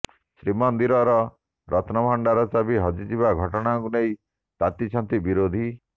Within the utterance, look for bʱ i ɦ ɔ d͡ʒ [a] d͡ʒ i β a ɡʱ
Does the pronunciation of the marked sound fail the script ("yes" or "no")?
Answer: yes